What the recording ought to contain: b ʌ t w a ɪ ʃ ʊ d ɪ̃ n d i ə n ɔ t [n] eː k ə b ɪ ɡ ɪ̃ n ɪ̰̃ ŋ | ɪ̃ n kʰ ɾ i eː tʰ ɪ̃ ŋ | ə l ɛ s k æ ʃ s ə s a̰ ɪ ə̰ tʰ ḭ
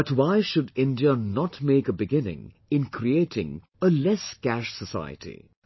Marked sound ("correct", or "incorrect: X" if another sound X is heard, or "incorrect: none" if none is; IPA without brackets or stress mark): incorrect: m